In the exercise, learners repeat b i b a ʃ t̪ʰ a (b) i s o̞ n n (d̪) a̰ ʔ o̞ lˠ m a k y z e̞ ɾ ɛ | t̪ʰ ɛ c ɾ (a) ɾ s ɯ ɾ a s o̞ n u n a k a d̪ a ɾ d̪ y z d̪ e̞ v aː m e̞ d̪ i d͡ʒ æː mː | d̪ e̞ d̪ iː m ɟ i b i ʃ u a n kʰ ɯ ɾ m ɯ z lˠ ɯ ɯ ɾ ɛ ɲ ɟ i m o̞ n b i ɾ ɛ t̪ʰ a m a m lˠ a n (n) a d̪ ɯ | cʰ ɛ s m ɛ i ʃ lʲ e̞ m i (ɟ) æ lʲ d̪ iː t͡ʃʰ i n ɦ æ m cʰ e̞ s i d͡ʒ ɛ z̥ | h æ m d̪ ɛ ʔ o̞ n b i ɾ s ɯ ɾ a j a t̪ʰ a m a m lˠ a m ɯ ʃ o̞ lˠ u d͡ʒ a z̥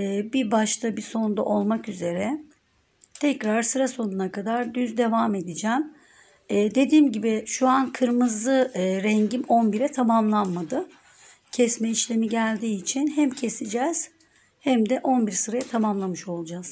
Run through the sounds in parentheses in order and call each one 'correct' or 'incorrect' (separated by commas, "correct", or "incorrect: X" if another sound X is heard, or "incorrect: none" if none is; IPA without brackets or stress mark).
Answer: correct, correct, correct, incorrect: m, correct